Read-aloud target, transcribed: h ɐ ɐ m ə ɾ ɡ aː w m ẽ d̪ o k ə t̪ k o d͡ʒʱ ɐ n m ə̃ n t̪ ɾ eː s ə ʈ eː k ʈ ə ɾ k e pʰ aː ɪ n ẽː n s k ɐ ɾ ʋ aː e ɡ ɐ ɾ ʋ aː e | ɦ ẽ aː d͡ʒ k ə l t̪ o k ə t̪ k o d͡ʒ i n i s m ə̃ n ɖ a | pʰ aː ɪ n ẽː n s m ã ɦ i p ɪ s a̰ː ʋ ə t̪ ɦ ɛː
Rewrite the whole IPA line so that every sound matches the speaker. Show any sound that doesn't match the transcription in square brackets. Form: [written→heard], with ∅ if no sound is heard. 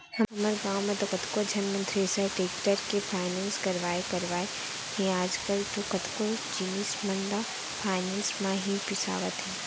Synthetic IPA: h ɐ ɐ m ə ɾ ɡ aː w m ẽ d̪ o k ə t̪ k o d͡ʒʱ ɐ n m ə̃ n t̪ ɾ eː s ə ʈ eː k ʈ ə ɾ k e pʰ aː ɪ n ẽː n s k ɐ ɾ ʋ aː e [ɡ→k] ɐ ɾ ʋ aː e | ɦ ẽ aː d͡ʒ k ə l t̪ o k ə t̪ k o d͡ʒ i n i s m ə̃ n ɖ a | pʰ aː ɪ n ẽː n s m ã ɦ i p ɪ s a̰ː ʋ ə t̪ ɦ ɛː